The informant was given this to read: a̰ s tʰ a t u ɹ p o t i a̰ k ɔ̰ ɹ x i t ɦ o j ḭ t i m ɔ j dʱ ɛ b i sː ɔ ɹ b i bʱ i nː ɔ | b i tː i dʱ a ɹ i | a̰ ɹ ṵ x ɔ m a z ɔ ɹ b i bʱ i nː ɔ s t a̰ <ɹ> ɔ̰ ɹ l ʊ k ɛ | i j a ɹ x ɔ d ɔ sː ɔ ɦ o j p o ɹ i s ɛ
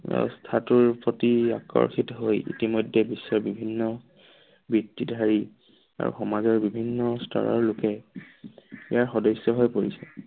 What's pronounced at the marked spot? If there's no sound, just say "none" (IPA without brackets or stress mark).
ɹ